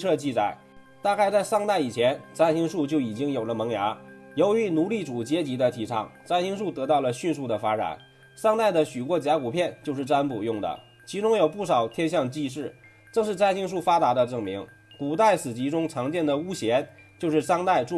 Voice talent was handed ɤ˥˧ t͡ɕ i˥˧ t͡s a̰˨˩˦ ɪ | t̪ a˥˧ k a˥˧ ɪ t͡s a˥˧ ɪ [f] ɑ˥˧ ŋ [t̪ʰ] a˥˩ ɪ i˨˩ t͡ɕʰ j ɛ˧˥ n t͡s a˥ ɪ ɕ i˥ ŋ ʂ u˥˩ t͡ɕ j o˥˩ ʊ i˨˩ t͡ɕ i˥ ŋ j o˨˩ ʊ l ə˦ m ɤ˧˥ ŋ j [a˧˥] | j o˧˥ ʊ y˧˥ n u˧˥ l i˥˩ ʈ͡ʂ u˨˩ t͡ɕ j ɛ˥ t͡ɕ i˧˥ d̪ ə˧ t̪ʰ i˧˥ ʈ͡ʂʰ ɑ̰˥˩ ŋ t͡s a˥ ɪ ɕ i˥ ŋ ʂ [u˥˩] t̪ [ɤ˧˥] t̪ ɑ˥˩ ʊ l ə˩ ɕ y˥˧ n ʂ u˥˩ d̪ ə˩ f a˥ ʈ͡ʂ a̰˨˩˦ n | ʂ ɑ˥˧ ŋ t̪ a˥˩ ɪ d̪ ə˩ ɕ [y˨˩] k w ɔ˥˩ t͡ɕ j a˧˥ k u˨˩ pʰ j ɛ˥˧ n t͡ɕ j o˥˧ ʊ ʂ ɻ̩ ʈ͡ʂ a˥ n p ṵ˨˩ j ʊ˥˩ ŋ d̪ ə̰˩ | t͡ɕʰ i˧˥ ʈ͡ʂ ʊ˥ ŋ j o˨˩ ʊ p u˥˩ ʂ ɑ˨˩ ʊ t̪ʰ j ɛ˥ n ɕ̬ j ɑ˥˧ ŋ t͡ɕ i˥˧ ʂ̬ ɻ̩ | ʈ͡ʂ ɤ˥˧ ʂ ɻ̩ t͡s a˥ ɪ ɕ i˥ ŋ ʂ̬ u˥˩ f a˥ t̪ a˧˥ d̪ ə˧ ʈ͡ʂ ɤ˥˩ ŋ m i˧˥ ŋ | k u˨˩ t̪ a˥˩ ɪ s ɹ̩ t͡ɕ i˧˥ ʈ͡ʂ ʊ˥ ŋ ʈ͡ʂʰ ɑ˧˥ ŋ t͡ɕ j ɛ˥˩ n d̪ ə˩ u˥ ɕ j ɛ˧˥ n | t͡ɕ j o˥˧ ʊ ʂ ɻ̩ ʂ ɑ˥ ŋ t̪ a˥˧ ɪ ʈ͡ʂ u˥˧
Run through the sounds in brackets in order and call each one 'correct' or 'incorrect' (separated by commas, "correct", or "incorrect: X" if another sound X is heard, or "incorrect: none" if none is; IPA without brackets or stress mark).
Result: incorrect: ʂ, incorrect: t̪, correct, correct, correct, correct